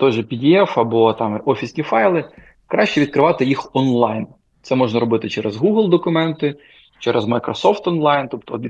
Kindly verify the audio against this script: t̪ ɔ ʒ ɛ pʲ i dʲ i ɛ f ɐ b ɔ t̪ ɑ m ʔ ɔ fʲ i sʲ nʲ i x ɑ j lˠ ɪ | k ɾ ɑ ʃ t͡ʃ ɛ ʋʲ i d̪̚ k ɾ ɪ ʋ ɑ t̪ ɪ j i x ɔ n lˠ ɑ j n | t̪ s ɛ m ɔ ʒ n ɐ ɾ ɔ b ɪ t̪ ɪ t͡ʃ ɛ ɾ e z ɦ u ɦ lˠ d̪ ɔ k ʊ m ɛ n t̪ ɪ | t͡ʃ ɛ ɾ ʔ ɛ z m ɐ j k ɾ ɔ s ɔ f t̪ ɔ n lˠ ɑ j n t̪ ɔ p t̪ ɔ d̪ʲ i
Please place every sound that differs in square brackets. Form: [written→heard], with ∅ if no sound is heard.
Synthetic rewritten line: t̪ ɔ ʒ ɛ pʲ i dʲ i ɛ f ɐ b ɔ t̪ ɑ m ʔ ɔ fʲ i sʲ nʲ i [x→f] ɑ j lˠ ɪ | k ɾ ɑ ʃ t͡ʃ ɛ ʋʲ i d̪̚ k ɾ ɪ ʋ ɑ t̪ ɪ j i x ɔ n lˠ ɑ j n | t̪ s ɛ m ɔ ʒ n ɐ ɾ ɔ b ɪ t̪ ɪ t͡ʃ ɛ ɾ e z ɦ u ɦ lˠ d̪ ɔ k ʊ m ɛ n t̪ ɪ | t͡ʃ ɛ ɾ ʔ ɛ z m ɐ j k ɾ ɔ s ɔ f t̪ ɔ n lˠ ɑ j n t̪ ɔ p t̪ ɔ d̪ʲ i